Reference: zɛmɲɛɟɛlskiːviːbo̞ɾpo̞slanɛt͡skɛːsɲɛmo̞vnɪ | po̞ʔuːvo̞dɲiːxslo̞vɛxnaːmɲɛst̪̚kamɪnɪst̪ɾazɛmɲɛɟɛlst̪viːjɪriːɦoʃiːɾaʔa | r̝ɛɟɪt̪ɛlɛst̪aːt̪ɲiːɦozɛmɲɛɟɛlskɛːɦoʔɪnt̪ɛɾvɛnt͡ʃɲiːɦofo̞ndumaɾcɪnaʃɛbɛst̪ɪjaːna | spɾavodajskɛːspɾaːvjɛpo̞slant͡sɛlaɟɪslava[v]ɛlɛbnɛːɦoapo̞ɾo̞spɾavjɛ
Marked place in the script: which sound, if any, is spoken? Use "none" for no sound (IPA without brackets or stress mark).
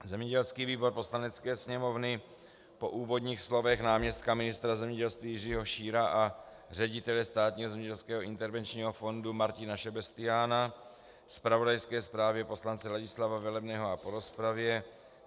v